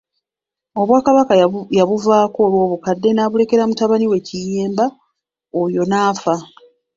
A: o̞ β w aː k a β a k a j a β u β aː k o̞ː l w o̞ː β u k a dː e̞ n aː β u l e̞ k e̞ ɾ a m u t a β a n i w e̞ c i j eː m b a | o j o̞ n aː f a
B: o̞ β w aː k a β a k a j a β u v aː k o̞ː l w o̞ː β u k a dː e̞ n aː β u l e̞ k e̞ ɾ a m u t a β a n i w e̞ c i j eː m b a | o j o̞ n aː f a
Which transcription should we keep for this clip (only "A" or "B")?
B